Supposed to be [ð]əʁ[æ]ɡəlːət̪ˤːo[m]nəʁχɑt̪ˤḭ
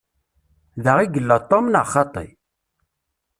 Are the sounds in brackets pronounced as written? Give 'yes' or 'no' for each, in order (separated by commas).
yes, no, yes